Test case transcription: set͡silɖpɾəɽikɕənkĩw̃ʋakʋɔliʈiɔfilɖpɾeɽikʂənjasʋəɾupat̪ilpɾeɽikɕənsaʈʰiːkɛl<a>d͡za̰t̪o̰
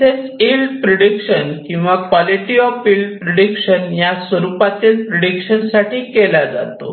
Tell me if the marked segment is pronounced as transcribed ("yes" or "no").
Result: yes